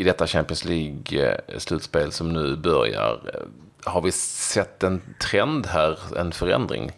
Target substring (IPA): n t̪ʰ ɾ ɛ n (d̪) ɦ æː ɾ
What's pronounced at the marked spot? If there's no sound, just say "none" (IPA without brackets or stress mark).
d̪